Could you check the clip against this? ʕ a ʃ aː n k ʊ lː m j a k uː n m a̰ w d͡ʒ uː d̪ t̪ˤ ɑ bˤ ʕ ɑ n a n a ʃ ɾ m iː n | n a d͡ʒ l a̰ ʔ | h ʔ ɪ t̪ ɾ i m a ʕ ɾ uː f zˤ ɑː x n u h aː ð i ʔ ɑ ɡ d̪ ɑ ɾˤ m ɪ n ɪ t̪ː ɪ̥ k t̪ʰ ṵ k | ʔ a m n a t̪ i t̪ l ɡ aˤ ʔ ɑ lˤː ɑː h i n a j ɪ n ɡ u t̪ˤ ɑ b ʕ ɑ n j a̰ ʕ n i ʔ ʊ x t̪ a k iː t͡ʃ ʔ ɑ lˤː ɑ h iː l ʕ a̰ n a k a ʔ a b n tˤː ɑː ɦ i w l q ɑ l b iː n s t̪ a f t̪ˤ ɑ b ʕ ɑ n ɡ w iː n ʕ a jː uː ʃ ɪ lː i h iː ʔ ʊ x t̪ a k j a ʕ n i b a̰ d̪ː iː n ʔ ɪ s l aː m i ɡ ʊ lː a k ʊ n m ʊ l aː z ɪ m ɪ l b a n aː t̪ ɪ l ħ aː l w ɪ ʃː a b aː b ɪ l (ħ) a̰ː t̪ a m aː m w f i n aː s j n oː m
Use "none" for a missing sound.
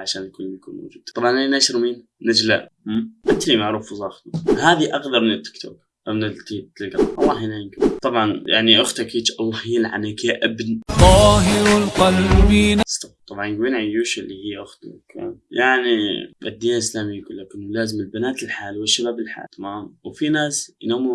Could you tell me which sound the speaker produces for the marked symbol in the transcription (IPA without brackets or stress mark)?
ħ